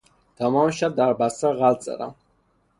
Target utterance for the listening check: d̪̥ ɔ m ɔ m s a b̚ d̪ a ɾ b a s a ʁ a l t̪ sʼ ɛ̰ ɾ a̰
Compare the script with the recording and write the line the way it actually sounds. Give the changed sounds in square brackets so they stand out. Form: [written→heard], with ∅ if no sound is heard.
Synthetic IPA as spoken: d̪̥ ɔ m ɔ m [s→ʃ] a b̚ d̪ a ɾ b a s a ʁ a l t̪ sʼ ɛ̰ ɾ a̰